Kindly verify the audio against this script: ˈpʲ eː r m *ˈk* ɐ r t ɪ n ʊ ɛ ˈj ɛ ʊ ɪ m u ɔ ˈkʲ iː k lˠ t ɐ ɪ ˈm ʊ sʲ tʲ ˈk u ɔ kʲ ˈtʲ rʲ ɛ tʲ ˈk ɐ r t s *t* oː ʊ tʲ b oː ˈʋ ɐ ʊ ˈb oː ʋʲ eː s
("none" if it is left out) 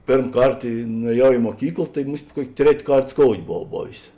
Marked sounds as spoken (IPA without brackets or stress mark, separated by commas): k, k